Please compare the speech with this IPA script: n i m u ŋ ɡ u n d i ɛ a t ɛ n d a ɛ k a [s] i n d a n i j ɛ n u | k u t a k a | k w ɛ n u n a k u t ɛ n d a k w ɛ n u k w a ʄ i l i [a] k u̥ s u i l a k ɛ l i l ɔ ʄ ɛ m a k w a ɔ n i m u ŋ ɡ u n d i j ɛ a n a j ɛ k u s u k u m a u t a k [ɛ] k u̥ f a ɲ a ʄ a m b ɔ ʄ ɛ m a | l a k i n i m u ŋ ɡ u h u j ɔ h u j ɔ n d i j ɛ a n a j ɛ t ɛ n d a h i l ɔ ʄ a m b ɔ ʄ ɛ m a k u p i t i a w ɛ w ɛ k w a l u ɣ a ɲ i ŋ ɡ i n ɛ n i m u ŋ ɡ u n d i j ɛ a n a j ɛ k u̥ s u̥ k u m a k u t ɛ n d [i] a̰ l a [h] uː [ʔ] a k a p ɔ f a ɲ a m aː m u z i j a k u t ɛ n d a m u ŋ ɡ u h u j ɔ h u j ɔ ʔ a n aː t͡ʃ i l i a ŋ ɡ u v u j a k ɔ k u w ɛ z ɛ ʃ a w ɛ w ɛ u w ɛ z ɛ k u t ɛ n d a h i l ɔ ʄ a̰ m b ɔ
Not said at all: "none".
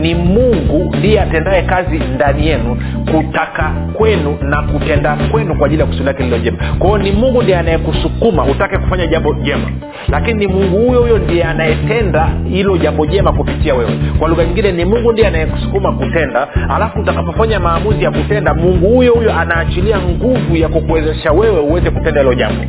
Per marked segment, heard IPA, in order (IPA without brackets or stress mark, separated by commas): z, a, ɛ, a, f, t